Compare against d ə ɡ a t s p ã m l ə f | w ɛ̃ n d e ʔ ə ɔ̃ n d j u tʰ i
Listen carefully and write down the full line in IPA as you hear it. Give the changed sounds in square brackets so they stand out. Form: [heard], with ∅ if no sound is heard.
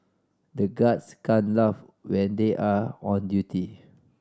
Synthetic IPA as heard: d ə ɡ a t s [k] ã [n] l [a] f | w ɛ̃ n d e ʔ [a] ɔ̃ n d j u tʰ i